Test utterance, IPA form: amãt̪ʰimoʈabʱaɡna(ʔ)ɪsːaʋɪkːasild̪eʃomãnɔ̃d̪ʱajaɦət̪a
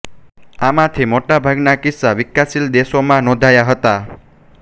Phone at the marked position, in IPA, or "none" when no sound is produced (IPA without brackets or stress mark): k